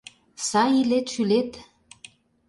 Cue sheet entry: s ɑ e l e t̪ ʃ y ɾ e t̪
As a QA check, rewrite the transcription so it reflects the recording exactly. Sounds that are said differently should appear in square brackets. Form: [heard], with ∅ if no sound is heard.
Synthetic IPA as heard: s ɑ [i] l e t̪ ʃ y [l] e t̪